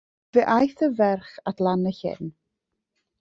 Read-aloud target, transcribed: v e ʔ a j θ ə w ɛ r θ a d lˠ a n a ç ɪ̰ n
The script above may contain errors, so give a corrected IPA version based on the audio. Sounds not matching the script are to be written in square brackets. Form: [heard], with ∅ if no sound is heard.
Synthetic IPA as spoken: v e ʔ a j θ ə [v] ɛ r [χ] a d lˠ a n [ə] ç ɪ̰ n